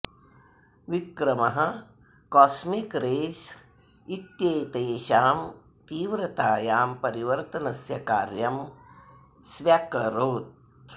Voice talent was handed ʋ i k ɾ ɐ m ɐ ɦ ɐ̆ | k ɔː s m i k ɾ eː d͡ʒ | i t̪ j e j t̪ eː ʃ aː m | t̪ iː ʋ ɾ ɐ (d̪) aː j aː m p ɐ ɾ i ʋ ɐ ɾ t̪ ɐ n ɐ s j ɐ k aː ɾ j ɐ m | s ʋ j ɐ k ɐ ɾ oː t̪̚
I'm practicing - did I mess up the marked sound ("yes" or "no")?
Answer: yes